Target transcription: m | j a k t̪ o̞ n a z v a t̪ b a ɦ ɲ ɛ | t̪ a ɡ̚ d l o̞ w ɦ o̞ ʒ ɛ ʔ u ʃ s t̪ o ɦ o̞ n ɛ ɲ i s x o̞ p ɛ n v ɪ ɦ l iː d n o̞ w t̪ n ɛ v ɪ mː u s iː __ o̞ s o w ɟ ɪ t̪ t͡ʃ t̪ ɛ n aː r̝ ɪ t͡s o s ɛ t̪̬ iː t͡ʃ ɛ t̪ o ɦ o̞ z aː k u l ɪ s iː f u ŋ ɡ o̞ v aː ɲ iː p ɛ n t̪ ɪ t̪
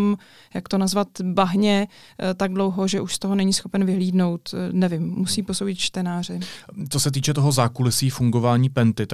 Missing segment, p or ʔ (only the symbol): p